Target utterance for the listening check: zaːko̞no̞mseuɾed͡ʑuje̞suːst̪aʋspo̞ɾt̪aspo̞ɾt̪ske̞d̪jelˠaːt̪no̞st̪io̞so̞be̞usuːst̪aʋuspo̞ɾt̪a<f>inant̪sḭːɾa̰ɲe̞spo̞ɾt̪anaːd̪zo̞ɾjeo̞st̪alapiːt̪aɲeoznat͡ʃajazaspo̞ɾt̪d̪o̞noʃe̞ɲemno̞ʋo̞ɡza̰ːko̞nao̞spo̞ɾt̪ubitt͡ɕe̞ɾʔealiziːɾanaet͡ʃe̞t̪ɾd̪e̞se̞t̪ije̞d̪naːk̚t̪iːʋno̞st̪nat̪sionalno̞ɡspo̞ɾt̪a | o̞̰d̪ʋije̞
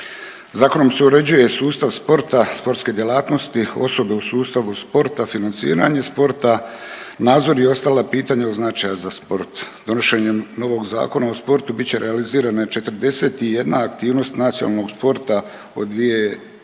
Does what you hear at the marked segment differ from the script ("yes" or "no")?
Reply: no